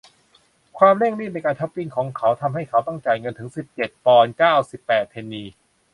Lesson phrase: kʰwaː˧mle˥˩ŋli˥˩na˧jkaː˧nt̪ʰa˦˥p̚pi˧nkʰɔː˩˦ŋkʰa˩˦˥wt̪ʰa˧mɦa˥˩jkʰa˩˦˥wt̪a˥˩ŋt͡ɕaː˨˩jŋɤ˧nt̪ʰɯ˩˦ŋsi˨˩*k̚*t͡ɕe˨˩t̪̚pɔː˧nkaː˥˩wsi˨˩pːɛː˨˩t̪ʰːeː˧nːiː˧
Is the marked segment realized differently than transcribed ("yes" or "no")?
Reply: yes